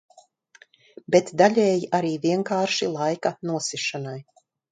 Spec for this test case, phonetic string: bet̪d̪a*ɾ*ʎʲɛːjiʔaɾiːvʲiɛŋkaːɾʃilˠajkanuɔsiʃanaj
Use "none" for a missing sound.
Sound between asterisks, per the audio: none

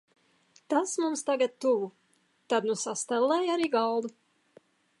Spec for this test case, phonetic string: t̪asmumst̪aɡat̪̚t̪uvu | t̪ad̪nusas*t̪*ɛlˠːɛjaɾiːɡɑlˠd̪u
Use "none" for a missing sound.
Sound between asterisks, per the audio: t̪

